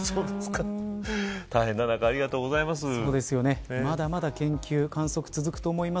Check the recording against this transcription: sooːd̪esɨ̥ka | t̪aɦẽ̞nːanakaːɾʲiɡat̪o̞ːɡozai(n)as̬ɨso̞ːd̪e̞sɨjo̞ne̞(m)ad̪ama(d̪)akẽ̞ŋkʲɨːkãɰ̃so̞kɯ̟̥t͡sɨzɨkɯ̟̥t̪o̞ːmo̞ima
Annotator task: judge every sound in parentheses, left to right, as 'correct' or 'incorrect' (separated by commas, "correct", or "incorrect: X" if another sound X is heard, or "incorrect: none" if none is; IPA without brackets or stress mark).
incorrect: m, correct, correct